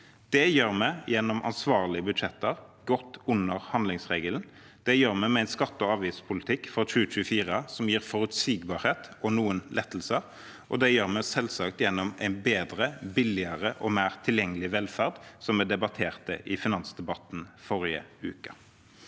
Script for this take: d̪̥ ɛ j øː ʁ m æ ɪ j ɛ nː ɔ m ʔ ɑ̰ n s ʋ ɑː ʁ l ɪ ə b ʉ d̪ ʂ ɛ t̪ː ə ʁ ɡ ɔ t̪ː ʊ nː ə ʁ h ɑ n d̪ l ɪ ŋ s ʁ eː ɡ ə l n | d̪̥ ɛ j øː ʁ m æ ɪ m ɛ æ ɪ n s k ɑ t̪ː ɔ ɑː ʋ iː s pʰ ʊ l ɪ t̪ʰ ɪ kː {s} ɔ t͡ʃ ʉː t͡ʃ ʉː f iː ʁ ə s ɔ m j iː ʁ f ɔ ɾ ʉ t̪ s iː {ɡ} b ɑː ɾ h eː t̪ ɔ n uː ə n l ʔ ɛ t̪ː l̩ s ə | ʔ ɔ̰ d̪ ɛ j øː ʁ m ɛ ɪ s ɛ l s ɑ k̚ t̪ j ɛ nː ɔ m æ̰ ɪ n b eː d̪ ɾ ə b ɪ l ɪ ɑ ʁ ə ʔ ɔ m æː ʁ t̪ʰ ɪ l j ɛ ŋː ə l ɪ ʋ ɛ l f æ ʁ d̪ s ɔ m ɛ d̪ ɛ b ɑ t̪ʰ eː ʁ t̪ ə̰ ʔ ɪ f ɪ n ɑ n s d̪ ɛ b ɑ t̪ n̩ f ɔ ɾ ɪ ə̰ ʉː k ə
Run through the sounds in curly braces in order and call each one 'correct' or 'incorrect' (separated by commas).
incorrect, correct